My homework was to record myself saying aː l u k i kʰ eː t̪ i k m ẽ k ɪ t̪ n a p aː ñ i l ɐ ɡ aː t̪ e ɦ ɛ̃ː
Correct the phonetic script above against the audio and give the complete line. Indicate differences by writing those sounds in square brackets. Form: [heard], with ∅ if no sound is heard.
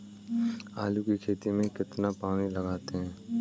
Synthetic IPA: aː l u k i kʰ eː t̪ i [∅] m ẽ k ɪ t̪ n a p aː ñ i l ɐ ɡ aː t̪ e ɦ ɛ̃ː